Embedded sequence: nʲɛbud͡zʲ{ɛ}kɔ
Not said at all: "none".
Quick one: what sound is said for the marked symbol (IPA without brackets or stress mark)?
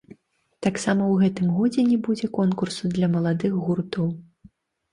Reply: ɛ